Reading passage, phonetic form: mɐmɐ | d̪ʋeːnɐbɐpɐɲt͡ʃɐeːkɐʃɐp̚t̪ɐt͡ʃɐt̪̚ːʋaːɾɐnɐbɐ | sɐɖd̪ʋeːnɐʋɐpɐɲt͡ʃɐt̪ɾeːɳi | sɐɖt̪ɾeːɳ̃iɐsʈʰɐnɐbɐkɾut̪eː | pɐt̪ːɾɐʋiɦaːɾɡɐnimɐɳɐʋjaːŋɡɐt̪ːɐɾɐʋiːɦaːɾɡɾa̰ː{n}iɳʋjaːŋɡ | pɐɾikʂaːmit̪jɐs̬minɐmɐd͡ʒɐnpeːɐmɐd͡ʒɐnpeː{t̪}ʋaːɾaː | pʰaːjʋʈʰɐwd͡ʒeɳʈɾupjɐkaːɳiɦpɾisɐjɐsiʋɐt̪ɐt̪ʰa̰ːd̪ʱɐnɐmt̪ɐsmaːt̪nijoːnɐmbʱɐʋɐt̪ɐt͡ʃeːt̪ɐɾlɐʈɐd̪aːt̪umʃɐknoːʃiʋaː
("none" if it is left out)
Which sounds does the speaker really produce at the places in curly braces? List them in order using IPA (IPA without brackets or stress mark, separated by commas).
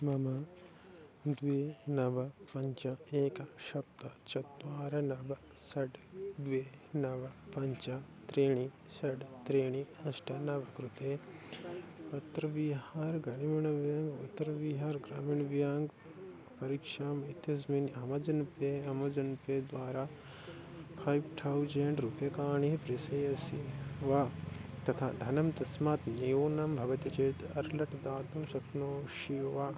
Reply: m, d̪